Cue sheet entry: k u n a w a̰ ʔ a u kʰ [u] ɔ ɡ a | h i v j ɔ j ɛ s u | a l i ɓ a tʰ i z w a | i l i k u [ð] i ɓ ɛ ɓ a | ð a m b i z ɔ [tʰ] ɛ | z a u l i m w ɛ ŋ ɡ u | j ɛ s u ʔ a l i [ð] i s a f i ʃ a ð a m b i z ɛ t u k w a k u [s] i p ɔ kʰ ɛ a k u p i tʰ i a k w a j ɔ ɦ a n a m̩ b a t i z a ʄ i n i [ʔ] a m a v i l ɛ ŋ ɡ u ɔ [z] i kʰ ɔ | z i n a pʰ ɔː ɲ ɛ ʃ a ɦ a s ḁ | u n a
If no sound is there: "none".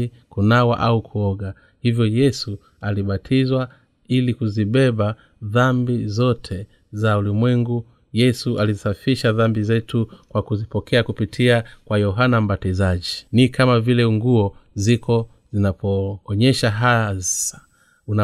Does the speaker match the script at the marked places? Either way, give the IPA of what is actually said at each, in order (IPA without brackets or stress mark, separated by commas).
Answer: u, z, tʰ, z, z, k, z